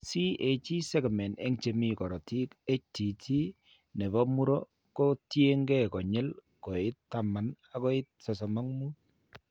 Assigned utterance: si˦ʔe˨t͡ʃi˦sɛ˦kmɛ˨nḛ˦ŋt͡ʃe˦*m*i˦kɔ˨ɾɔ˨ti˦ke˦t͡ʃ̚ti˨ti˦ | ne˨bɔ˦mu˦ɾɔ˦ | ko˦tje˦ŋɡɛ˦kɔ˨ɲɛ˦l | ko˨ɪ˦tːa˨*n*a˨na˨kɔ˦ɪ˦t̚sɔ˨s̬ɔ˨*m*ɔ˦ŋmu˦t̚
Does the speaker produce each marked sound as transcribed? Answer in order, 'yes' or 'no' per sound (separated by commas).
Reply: yes, no, yes